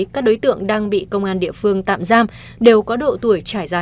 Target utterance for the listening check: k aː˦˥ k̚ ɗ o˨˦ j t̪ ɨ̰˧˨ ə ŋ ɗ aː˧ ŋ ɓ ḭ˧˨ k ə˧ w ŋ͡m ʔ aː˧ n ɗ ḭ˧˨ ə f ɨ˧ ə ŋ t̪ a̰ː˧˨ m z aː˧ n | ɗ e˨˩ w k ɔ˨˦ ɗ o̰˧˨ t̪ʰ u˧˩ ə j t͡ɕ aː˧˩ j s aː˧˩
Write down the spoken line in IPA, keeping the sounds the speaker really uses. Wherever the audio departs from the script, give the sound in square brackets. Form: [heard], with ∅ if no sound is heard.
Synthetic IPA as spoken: k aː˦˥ k̚ ɗ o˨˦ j t̪ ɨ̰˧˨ ə ŋ ɗ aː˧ ŋ ɓ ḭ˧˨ k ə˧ w ŋ͡m ʔ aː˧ n ɗ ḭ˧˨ ə f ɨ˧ ə ŋ t̪ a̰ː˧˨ m z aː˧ [m] | ɗ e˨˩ w k ɔ˨˦ ɗ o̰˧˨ [t̪] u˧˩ ə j t͡ɕ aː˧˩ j [z] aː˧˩